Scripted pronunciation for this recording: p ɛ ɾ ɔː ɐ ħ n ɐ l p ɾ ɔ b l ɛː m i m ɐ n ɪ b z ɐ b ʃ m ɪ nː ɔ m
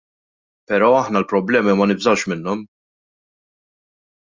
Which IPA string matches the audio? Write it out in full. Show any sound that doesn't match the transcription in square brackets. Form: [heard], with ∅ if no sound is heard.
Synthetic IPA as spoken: p ɛ ɾ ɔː ɐ ħ n ɐ l p ɾ ɔ b l ɛː m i m ɐ n ɪ b z ɐ [w] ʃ m ɪ nː ɔ m